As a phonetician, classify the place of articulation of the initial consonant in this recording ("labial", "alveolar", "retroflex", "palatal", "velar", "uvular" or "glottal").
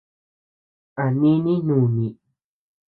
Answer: alveolar